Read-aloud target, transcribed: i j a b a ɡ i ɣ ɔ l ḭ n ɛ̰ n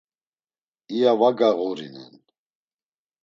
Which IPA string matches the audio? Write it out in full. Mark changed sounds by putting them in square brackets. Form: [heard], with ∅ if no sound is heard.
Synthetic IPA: i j a [v] a ɡ [a] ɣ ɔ [ɾ] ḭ n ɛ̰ n